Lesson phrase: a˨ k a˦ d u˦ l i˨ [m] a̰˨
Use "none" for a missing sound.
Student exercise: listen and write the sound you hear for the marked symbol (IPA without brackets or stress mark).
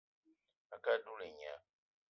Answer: ɲ